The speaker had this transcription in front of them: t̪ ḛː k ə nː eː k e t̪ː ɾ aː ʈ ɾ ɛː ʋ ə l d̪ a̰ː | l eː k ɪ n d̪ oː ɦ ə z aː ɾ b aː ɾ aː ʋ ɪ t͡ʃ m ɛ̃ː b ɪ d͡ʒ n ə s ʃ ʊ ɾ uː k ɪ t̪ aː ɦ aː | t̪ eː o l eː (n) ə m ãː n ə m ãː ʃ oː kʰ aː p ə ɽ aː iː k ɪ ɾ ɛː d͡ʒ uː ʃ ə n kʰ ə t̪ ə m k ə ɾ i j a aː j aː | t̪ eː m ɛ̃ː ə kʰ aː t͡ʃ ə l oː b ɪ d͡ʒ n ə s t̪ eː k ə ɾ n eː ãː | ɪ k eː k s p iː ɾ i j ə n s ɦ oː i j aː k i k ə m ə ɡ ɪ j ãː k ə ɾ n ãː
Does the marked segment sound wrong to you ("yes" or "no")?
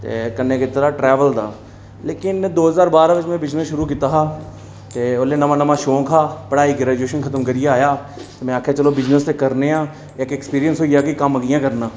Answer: no